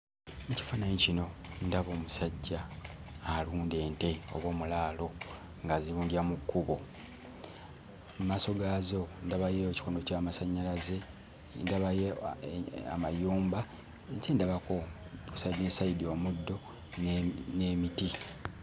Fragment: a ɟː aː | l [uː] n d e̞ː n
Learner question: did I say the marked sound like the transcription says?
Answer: yes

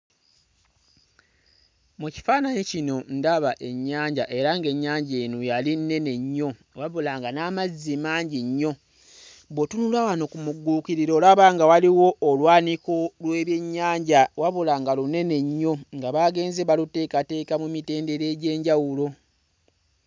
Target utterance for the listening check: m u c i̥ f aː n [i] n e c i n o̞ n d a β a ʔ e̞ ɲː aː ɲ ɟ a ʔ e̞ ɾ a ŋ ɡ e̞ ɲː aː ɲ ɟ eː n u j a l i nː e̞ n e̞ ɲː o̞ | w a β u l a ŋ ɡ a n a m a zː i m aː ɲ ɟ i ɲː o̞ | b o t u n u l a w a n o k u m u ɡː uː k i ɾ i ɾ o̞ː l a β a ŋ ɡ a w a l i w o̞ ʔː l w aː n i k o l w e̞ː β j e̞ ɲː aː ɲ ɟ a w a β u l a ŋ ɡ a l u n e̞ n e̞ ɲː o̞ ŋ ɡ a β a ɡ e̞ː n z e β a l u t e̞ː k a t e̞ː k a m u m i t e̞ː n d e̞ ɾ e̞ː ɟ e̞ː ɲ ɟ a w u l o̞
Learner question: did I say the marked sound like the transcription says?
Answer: no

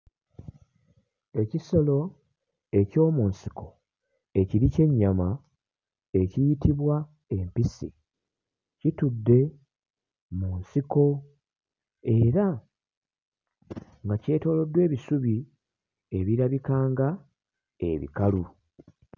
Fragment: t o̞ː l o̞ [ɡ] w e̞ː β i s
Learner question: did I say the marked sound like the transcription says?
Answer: no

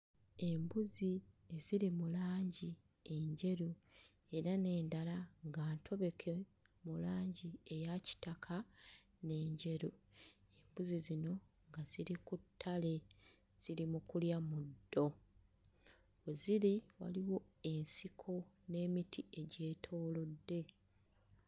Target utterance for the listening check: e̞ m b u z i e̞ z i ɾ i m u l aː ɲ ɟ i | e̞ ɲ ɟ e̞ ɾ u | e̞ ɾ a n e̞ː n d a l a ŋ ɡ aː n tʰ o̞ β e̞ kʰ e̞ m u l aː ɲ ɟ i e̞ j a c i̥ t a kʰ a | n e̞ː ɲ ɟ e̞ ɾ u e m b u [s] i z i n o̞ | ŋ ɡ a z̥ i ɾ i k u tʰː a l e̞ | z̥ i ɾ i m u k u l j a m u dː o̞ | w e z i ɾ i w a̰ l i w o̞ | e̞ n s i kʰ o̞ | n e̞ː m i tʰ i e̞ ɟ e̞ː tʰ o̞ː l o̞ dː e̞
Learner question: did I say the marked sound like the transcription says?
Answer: no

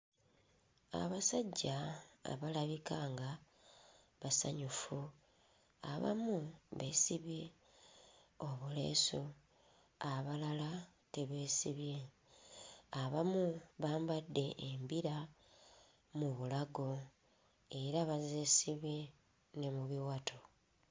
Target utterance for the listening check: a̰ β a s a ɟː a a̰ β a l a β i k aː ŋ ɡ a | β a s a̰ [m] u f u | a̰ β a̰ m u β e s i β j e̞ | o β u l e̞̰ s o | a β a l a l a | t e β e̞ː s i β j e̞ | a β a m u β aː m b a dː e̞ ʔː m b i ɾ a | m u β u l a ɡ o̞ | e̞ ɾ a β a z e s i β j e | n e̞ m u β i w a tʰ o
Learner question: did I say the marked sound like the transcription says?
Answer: no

